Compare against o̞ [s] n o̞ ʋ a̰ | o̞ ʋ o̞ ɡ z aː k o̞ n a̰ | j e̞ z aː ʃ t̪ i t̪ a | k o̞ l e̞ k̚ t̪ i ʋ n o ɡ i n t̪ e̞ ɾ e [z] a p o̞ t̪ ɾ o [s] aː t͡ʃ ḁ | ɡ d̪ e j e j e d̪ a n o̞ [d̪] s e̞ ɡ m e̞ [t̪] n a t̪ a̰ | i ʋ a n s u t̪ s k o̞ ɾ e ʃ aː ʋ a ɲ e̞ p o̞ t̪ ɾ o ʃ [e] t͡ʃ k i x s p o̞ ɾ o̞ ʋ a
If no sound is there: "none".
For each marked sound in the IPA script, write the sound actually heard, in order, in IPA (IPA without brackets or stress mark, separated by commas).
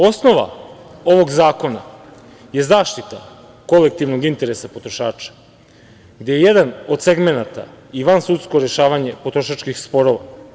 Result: s, s, ʃ, d̪, none, a